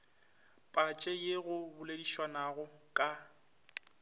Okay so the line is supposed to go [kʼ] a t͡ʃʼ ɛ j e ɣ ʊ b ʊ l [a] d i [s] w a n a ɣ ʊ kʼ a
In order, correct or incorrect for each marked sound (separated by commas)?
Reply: incorrect, incorrect, incorrect